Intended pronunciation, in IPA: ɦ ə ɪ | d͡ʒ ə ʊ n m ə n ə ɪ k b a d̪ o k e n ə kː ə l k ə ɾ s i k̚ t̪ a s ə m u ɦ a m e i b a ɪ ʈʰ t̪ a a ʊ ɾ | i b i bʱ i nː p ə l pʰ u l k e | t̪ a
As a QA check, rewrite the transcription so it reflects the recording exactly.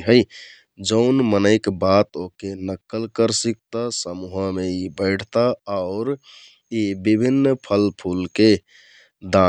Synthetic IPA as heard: ɦ ə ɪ | d͡ʒ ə ʊ n m ə n ə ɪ k b a t̪ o k e n ə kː ə l k ə ɾ s i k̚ t̪ a s ə m u ɦ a m e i b ə ɪ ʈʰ t̪ a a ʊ ɾ | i b i bʱ i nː pʰ ə l pʰ u l k e | d̪ a